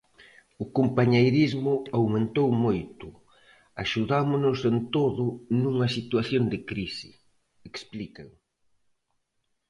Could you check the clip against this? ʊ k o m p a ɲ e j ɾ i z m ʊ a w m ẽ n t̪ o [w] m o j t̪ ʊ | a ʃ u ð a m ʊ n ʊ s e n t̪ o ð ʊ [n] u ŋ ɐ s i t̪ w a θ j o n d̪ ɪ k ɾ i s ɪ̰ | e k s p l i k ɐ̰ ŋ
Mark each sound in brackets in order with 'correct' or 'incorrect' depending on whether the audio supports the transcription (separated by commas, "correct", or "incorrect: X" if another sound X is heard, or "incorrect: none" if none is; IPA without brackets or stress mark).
correct, correct